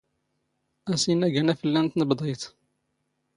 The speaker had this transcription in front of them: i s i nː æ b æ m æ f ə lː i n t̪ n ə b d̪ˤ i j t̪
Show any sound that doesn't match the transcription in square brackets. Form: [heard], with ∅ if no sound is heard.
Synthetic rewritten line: [æ] s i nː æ [ɡ] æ [n] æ f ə lː [æ] n t̪ n ə b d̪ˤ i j t̪